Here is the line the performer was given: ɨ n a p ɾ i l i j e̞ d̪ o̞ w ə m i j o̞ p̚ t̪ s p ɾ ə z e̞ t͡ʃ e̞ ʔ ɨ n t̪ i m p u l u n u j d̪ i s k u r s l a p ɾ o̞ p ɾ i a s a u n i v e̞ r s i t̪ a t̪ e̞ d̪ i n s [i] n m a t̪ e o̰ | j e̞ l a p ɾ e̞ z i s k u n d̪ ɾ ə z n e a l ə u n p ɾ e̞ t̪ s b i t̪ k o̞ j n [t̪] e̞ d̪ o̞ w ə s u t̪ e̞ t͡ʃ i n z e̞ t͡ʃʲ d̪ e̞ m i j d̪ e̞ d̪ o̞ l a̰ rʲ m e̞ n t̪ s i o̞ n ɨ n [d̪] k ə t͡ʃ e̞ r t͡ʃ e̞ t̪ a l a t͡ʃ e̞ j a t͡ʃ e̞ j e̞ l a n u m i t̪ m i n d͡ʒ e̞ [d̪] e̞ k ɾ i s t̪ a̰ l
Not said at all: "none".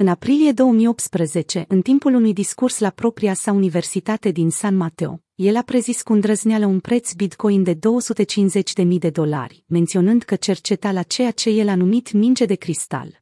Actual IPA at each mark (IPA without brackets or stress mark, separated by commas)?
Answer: a, d̪, d̪, d̪